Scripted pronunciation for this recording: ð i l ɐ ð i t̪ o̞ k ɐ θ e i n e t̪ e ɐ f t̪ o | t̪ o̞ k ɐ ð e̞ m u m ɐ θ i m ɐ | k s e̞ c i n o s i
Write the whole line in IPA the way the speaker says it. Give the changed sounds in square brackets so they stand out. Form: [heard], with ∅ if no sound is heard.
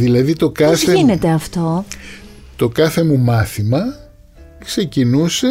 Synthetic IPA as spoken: ð i l ɐ ð i t̪ o̞ k ɐ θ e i n e t̪ e ɐ f t̪ o | t̪ o̞ k ɐ [θ] e̞ m u m ɐ θ i m ɐ | k s e̞ c i n [u] s [e]